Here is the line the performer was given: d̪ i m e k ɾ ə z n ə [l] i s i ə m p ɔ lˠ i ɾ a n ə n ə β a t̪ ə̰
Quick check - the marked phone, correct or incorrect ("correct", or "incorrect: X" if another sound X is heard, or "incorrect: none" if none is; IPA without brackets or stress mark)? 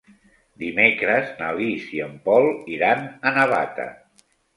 correct